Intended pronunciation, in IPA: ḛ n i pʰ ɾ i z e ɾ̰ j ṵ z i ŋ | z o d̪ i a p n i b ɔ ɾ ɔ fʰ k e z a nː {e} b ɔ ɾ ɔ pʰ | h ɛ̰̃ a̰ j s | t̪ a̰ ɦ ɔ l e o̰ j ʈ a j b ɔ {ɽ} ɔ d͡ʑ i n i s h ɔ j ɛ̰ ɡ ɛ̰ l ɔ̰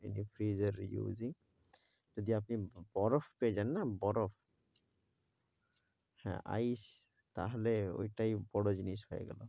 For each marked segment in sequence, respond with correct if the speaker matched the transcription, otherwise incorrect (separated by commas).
incorrect, correct